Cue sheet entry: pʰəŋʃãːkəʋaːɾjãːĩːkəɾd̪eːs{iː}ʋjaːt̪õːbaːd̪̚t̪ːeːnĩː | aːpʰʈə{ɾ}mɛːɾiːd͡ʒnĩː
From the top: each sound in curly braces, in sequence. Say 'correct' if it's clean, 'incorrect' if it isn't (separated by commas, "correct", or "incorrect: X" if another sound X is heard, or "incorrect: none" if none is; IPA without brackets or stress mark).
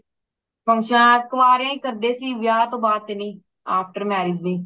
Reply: correct, correct